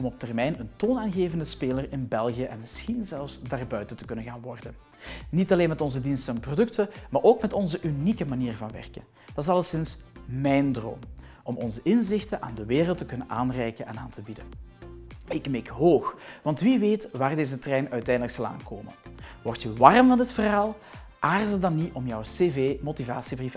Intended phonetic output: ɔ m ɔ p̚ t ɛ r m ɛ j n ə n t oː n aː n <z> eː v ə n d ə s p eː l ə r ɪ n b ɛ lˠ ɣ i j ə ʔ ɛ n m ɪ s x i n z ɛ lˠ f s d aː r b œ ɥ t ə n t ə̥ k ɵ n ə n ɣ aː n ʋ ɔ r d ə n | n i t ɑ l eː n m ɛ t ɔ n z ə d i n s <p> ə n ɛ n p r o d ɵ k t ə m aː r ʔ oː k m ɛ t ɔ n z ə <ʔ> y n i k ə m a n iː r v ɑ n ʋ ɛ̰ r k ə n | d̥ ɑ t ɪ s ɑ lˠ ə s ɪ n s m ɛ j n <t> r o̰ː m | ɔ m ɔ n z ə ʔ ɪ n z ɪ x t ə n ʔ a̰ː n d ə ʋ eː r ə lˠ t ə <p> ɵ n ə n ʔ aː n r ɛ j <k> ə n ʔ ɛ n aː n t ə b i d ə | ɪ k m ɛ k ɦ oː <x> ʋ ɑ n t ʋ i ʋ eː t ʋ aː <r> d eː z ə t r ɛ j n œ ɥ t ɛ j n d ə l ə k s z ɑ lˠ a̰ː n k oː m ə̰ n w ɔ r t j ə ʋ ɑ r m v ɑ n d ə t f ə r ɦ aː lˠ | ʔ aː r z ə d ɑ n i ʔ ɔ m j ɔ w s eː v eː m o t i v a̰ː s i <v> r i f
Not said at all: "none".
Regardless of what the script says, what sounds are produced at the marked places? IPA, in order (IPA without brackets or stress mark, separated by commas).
ɣ, t, ʔ, d, k, k, x, r, b